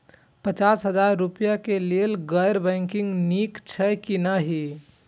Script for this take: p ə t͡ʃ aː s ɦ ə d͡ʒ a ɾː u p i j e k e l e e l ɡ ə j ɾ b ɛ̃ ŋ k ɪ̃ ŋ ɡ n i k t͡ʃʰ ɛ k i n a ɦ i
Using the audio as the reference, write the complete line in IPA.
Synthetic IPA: p ə t͡ʃ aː s ɦ ə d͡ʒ a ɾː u p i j a k e l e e l ɡ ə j ɾ b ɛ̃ ŋ k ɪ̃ ŋ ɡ n i k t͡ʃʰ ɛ k i n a ɦ i